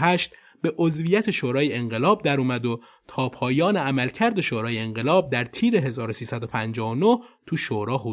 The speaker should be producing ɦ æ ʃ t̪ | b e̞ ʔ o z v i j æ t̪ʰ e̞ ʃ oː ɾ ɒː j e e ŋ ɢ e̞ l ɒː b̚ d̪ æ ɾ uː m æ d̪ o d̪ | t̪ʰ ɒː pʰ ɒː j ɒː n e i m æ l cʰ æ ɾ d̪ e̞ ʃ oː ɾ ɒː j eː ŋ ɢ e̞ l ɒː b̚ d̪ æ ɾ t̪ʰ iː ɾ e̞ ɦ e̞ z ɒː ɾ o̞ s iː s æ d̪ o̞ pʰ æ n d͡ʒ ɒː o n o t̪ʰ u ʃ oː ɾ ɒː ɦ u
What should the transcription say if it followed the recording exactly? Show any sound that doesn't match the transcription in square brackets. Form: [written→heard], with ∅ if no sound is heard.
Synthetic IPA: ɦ æ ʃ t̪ | b e̞ ʔ o z v i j æ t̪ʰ e̞ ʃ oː ɾ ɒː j e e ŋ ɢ e̞ l ɒː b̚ d̪ æ ɾ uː m æ d̪ o [d̪→∅] | t̪ʰ ɒː pʰ ɒː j ɒː n e [i→æ] m æ l cʰ æ ɾ d̪ e̞ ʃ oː ɾ ɒː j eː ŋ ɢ e̞ l ɒː b̚ d̪ æ ɾ t̪ʰ iː ɾ e̞ ɦ e̞ z ɒː ɾ o̞ s iː s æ d̪ o̞ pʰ æ n d͡ʒ ɒː o n o t̪ʰ u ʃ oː ɾ ɒː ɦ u